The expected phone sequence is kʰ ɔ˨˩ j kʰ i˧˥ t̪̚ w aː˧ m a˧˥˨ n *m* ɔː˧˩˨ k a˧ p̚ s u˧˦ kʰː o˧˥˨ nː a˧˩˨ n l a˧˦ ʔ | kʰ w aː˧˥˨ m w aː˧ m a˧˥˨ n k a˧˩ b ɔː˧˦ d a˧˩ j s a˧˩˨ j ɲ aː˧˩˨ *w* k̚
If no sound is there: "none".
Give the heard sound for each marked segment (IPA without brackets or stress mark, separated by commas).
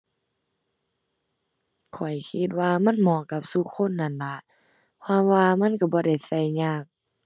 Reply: m, none